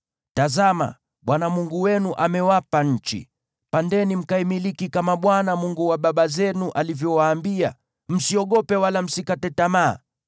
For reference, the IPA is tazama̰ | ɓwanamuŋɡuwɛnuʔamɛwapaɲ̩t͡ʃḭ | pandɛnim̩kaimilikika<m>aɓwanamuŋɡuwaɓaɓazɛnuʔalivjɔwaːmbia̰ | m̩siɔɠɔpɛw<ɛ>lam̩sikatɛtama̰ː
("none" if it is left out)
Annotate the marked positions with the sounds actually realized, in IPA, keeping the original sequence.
m, a

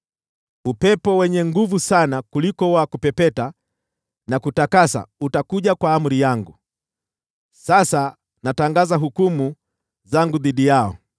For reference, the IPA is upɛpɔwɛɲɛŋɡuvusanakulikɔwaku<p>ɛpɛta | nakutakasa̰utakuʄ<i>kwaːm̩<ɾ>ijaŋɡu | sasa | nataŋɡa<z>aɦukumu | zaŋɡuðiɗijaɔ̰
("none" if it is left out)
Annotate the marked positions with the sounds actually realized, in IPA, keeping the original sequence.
p, a, ɾ, z

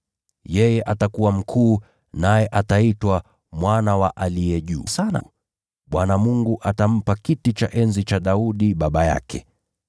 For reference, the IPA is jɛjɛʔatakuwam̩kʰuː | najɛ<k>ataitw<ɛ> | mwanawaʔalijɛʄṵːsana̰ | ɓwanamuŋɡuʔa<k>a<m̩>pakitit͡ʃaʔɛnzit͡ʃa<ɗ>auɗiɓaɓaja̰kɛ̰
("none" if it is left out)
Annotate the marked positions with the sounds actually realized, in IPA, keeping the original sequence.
ʔ, a, t, m̩, ɗ

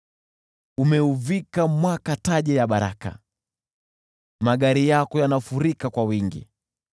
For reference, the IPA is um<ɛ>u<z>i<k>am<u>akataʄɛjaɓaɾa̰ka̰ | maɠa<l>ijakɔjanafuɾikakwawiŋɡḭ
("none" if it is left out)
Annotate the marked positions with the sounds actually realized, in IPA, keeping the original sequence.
ɛ, v, k, w, ɾ

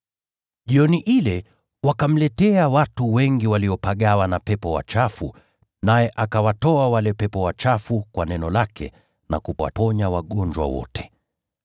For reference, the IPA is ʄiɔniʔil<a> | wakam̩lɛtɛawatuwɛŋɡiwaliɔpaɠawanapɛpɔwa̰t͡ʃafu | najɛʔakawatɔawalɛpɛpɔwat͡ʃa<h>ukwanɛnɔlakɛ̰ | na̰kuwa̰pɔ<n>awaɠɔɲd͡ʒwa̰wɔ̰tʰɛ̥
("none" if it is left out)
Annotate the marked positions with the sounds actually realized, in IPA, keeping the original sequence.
ɛ, f, ɲ

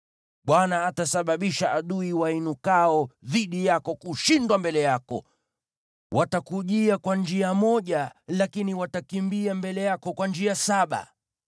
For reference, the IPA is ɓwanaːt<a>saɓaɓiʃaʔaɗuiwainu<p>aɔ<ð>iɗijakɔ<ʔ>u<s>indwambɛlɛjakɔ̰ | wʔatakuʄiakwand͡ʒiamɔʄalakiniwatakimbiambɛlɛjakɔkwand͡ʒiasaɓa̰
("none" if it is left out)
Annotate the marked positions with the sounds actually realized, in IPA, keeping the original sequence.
a, k, ð, k, ʃ

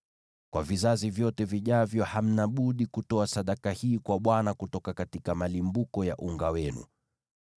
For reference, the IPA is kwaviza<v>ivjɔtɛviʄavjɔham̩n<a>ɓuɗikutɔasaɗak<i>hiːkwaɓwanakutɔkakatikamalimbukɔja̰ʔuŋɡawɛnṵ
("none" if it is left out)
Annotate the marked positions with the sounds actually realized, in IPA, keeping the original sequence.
z, a, a

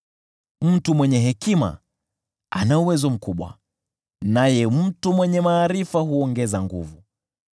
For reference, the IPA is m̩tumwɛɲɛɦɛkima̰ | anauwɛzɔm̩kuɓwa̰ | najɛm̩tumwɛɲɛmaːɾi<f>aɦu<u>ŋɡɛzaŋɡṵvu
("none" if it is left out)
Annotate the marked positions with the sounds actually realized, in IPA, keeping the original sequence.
f, ɔ

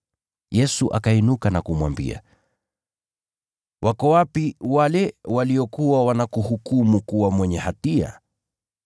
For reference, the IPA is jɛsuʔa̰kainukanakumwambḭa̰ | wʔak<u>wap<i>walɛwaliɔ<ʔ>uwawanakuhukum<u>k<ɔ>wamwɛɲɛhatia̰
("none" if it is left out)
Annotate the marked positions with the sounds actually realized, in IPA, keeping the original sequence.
ɔ, i, k, u, u

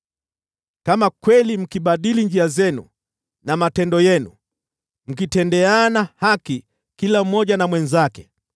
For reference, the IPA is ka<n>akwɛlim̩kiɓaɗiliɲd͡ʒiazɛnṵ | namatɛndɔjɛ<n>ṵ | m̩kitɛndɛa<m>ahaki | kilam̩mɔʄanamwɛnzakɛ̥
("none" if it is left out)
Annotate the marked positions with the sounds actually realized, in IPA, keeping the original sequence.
m, n, n

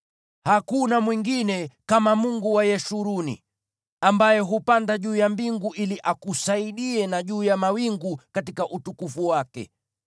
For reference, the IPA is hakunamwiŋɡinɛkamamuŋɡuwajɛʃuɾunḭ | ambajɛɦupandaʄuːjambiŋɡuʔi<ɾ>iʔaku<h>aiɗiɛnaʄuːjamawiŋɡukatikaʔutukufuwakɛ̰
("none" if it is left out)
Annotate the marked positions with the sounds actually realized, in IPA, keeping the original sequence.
l, s

